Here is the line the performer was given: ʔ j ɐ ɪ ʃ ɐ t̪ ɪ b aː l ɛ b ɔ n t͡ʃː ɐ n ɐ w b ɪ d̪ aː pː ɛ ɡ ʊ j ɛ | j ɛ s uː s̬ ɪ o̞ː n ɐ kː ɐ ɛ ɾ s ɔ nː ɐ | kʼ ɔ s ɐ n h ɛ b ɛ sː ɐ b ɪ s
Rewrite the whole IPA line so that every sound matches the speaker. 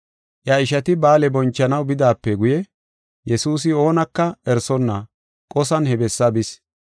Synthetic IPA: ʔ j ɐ ɪ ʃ ɐ t̪ ɪ b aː l ɛ b ɔ n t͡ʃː ɐ n ɐ w b ɪ d̪ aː pː ɛ ɡ ʊ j ɛ | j ɛ s uː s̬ ɪ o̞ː n ɐ kː ɐ ɛ ɾ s ɔ nː ɐ | kʼ ɔ s ɐ n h ɛ b ɛ sː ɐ b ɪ s